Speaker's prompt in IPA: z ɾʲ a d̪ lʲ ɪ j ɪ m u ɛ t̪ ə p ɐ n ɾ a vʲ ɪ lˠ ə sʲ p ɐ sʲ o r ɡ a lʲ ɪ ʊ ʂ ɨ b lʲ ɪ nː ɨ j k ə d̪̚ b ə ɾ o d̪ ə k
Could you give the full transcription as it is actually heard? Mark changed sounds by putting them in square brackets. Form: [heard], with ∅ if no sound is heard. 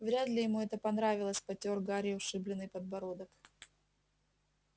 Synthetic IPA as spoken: [v] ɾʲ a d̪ lʲ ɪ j ɪ m u ɛ t̪ ə p ɐ n ɾ a vʲ ɪ lˠ ə sʲ p ɐ [tʲ] o r ɡ a [ɾʲ] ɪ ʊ ʂ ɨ b lʲ ɪ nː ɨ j [p] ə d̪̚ b [ɐ] ɾ o d̪ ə k